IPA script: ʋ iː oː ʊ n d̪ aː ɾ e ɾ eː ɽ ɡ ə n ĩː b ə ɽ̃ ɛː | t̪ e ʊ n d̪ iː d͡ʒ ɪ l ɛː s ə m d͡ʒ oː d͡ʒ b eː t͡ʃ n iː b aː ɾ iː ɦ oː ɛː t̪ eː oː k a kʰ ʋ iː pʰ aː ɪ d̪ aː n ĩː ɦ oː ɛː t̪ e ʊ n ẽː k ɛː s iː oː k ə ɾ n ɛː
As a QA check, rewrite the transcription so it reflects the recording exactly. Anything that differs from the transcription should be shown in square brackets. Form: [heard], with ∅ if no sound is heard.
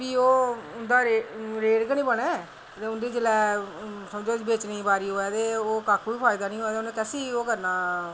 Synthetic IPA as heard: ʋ iː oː ʊ n d̪ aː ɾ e ɾ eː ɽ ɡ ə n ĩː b ə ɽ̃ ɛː | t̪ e ʊ n d̪ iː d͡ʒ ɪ l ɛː s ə m d͡ʒ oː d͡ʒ b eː t͡ʃ n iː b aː ɾ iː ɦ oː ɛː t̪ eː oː k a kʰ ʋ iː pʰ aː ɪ d̪ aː n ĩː ɦ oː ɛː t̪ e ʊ n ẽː k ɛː s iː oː k ə ɾ n [aː]